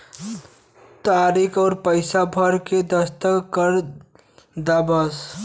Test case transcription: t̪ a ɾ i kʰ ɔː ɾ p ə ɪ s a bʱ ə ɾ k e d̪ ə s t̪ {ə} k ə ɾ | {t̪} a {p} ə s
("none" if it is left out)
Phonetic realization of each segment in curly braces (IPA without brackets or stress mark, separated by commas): ə, d̪, b